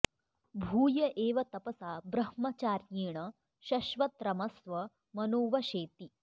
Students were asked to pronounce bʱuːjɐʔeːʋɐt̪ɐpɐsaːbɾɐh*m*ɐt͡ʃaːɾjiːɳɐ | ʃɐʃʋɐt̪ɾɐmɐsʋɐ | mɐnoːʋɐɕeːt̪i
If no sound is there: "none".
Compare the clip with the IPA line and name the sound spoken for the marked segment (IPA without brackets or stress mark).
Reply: m